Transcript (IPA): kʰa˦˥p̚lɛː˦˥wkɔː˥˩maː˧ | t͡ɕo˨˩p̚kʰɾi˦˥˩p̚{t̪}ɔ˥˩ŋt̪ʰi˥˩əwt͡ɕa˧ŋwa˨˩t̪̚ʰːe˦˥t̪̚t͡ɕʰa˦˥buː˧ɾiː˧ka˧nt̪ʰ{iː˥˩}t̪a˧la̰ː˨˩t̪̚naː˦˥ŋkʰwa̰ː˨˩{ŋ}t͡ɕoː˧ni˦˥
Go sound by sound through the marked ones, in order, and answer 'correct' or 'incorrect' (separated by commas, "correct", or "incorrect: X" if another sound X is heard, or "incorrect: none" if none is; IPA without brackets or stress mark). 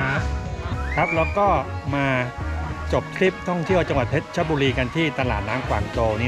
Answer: incorrect: t̪ʰ, correct, correct